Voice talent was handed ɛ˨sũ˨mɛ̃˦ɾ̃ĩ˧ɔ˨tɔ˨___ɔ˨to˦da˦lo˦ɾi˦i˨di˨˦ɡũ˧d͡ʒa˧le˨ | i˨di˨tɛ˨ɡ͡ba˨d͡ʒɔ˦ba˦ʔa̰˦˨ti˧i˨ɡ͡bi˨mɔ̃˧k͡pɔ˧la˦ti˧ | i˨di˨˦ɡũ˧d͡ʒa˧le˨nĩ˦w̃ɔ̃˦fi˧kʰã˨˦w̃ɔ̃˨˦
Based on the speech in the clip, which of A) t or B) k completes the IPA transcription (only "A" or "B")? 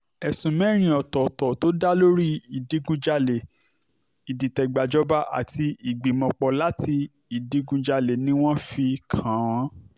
A